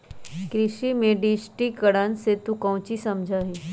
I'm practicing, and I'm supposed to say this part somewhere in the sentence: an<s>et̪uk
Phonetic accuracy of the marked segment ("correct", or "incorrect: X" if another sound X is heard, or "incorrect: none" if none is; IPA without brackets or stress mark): correct